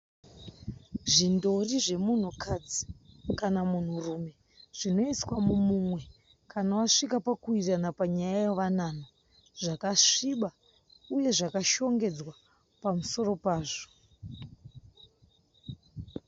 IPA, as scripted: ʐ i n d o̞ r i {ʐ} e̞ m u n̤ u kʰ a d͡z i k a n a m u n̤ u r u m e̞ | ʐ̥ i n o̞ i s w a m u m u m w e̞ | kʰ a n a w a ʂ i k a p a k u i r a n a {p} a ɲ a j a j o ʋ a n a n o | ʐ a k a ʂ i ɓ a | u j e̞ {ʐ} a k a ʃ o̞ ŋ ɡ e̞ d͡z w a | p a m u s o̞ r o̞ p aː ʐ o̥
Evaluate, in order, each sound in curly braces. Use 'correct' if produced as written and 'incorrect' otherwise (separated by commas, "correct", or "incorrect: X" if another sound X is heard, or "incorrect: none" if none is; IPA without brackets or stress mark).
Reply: correct, correct, correct